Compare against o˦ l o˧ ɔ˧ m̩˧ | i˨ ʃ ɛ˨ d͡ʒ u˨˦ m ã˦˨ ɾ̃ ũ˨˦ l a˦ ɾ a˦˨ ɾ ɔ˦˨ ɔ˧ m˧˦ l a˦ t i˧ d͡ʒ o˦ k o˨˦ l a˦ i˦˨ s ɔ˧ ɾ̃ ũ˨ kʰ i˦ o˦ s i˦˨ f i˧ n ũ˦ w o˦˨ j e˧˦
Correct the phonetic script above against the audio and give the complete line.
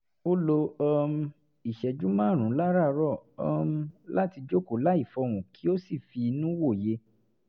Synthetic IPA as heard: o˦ l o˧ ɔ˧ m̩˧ | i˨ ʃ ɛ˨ d͡ʒ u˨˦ m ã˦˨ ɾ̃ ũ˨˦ l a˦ ɾ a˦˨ ɾ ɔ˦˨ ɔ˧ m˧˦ l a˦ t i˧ d͡ʒ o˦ k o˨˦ l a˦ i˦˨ f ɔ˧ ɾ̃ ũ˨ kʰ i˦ o˦ s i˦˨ f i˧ n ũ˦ w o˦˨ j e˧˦